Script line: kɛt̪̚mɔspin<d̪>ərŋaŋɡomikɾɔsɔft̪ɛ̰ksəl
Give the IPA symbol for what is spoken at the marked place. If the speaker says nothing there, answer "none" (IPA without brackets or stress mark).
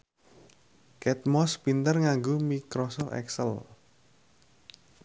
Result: t̪